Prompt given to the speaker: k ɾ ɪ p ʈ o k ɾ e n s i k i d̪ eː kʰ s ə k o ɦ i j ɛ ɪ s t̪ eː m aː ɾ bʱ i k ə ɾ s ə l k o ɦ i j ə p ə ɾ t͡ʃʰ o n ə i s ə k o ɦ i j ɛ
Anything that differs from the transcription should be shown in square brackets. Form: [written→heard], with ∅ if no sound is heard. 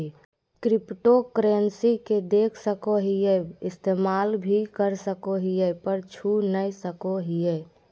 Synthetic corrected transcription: k ɾ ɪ p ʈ o k ɾ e n s i k [i→e] d̪ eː kʰ s ə k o ɦ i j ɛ ɪ s t̪ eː m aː [ɾ→l] bʱ i k ə ɾ s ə [l→∅] k o ɦ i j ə p ə ɾ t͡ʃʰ [o→u] n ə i s ə k o ɦ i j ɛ

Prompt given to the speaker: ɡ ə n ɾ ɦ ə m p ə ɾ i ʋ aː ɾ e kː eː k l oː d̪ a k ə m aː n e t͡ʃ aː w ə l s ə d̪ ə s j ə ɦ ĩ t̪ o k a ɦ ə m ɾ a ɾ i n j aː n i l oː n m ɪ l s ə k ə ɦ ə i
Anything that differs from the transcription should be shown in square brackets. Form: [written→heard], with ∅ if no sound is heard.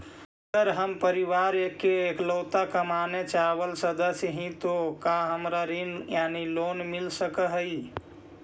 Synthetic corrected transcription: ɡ ə [n→∅] ɾ ɦ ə m p ə ɾ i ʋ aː ɾ e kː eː k l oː [d̪→t̪] a k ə m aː n e t͡ʃ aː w ə l s ə d̪ ə s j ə ɦ ĩ t̪ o k a ɦ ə m ɾ a ɾ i n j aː n i l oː n m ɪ l s ə k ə ɦ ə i

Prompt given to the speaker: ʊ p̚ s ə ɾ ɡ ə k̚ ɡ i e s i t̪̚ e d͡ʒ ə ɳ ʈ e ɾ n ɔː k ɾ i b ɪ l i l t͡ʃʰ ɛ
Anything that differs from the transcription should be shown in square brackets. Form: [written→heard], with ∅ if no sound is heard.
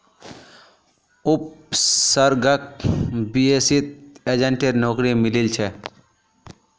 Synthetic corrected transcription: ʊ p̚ s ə ɾ ɡ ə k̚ [ɡ→b] i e s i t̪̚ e d͡ʒ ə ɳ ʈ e ɾ n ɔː k ɾ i [b→m] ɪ l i l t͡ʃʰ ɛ

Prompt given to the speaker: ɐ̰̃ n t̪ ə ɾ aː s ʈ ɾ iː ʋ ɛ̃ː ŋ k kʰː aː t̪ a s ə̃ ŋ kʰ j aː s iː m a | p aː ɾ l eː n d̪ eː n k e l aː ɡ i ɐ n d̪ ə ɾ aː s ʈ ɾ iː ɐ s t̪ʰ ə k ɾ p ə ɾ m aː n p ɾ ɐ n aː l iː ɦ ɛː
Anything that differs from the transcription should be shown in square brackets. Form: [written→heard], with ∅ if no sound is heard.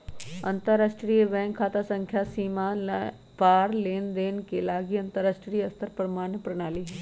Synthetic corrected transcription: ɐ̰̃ n t̪ ə ɾ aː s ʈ ɾ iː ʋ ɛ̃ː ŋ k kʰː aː t̪ a s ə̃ ŋ kʰ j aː s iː m a | p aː ɾ l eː n d̪ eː n k e l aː ɡ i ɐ n [d̪→t̪] ə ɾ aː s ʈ ɾ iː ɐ s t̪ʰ ə [k→∅] ɾ p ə ɾ m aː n p ɾ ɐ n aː l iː ɦ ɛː

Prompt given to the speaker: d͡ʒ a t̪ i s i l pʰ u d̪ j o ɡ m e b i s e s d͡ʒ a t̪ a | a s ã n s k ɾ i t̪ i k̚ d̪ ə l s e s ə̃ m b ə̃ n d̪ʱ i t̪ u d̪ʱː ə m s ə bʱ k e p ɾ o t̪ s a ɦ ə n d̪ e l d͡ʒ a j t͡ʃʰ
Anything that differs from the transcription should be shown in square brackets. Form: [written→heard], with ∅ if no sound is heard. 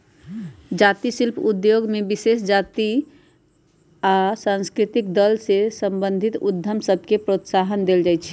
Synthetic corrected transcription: d͡ʒ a t̪ i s i l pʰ u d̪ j o ɡ m e b i s e s d͡ʒ a t̪ [a→i] | a s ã n s k ɾ i t̪ i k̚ d̪ ə l s e s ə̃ m b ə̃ n d̪ʱ i t̪ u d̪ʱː ə m s ə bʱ k e p ɾ o t̪ s a ɦ ə n d̪ e l d͡ʒ a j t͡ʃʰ

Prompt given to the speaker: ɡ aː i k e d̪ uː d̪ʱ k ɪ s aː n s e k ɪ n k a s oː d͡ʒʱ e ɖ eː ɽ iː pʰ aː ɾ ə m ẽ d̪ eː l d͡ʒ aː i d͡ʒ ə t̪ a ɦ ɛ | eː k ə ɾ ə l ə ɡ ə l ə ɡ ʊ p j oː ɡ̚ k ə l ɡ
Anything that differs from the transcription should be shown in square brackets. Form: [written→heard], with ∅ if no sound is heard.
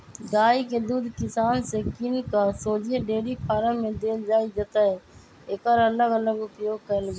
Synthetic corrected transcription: ɡ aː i k e d̪ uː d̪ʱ k ɪ s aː n s e k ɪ n k a s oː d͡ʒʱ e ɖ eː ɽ [iː→i] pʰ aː ɾ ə m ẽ d̪ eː l d͡ʒ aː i d͡ʒ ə t̪ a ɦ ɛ | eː k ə ɾ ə l ə ɡ ə l ə ɡ ʊ p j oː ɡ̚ k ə l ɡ

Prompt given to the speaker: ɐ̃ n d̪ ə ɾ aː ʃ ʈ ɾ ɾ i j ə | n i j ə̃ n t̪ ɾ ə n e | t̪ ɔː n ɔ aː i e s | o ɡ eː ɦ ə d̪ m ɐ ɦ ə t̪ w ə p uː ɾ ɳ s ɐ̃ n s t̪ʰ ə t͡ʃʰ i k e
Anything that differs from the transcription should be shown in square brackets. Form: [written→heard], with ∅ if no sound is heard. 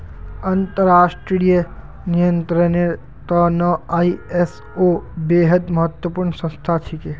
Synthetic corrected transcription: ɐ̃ n [d̪→t̪] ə ɾ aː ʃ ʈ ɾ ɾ i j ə | n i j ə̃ n t̪ ɾ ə n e | t̪ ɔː n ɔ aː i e s | o [ɡ→b] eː ɦ ə d̪ m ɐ ɦ ə t̪ w ə p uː ɾ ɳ s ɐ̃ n s t̪ʰ [ə→a] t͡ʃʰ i k e

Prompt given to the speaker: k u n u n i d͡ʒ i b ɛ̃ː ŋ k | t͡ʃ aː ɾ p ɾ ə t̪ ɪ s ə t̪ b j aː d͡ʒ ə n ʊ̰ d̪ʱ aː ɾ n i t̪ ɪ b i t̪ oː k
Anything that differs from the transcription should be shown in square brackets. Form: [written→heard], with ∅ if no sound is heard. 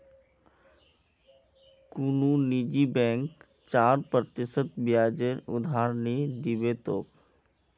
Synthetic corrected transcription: k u n u n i d͡ʒ i b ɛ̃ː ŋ k | t͡ʃ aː ɾ p ɾ ə t̪ ɪ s ə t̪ b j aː d͡ʒ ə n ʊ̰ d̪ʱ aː ɾ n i [t̪→d̪] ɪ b [i→e] t̪ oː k

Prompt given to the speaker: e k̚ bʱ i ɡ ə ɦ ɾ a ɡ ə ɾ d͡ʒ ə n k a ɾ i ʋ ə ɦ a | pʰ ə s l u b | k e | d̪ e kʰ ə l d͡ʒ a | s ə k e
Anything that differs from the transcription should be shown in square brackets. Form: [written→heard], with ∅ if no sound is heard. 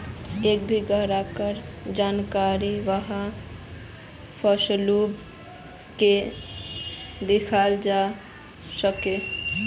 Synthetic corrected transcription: e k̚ bʱ i ɡ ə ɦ ɾ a [ɡ→k] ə ɾ d͡ʒ [ə→a] n k a ɾ i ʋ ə ɦ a | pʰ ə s l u b | k e | d̪ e kʰ [ə→a] l d͡ʒ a | s ə k e

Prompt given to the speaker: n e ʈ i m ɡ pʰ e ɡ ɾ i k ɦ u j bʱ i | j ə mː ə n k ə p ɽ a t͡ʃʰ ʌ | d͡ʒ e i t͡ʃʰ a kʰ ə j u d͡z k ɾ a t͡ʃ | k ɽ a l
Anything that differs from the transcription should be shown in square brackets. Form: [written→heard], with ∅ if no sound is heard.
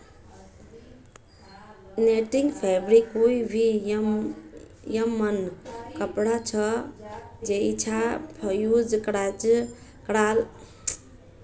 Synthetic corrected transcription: n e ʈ i [m→ŋ] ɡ pʰ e [ɡ→b] ɾ i k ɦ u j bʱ i | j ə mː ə n k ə p ɽ a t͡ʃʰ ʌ | d͡ʒ e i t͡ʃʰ a [kʰ→pʰ] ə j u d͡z k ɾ a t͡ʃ | k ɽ a l

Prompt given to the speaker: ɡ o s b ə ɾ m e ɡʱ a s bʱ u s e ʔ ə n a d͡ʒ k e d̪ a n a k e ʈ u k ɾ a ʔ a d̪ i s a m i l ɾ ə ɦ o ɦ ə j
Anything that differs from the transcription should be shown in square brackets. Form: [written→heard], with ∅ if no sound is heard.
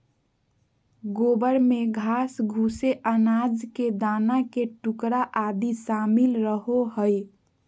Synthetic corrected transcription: ɡ o [s→∅] b ə ɾ m e ɡʱ a s [bʱ→ɡʱ] u s e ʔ ə n a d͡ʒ k e d̪ a n a k e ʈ u k ɾ a ʔ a d̪ i s a m i l ɾ ə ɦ o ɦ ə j

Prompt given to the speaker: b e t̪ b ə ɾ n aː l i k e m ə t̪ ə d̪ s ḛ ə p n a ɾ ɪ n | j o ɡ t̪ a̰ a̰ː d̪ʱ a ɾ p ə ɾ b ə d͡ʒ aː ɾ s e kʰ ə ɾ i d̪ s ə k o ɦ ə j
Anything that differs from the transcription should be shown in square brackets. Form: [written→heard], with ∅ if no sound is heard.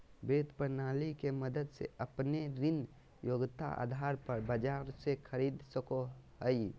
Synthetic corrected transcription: b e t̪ [b→p] ə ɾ n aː l i k e m ə [t̪→d̪] ə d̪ s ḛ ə p n [a→e] ɾ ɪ n | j o ɡ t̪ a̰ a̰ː d̪ʱ a ɾ p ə ɾ b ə d͡ʒ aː ɾ s e kʰ ə ɾ i d̪ s ə k o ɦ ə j

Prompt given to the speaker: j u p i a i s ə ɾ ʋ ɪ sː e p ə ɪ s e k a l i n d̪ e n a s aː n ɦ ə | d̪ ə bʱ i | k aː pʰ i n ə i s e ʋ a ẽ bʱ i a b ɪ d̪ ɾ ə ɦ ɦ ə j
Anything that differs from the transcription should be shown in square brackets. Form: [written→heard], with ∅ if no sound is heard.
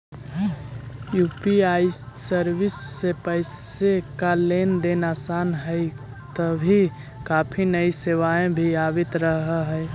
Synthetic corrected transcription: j u p i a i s ə ɾ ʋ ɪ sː e p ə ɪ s e k a l [i→e] n d̪ e n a s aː n ɦ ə | [d̪→t̪] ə bʱ i | k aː pʰ i n ə i s e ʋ a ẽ bʱ i a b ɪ [d̪→t̪] ɾ ə ɦ ɦ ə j

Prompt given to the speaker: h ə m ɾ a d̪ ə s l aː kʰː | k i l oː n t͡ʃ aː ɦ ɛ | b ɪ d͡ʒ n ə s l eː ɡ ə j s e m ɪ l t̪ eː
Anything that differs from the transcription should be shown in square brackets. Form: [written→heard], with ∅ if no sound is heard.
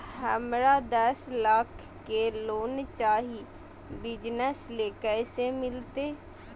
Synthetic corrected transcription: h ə m ɾ a d̪ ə s l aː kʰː | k [i→e] l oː n t͡ʃ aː ɦ [ɛ→i] | b ɪ d͡ʒ n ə s l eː [ɡ→k] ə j s e m ɪ l t̪ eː

